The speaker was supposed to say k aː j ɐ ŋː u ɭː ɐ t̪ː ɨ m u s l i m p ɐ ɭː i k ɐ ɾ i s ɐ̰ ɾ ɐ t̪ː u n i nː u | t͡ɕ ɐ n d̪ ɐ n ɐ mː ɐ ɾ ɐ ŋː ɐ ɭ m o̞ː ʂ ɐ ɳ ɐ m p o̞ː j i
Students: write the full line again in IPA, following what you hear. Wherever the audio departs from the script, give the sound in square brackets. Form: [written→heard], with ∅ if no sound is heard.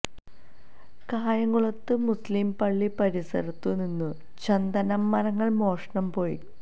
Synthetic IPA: k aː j ɐ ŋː u [ɭː→ɭ] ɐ t̪ː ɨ m u s l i m p ɐ ɭː i [k→p] ɐ ɾ i s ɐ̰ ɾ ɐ t̪ː u n i nː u | t͡ɕ ɐ n d̪ ɐ n ɐ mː ɐ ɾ ɐ ŋː ɐ ɭ m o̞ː ʂ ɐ ɳ ɐ m p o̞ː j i